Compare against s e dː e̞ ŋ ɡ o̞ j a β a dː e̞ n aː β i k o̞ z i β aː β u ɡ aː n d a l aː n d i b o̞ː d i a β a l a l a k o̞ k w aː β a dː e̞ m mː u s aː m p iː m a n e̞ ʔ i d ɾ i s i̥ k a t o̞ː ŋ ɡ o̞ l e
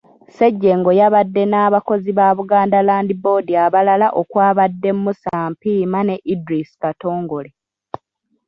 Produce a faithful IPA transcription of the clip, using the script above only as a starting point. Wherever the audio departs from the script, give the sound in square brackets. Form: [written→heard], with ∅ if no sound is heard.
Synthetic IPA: s e [dː→ɟː] e̞ ŋ ɡ o̞ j a β a dː e̞ n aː β [i→a] k o̞ z i β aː β u ɡ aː n d a l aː n d i b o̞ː d i a β a l a l a [k→ʔ] o̞ k w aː β a dː e̞ m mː u s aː m p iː m a n e̞ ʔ i d ɾ i s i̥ k a t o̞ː ŋ ɡ o̞ l e